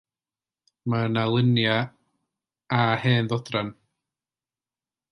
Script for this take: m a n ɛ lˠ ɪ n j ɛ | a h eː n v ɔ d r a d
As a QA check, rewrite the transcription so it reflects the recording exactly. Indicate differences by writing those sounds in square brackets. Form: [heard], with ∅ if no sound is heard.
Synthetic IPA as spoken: m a n [a] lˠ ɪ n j [a] | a h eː n [ð] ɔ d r a [n]